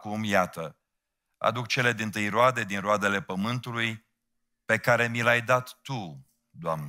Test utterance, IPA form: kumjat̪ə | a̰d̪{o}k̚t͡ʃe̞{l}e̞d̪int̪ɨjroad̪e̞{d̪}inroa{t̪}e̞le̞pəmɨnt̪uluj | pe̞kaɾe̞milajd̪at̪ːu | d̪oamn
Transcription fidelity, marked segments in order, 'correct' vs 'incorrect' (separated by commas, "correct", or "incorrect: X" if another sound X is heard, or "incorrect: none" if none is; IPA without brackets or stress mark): incorrect: u, correct, correct, incorrect: d̪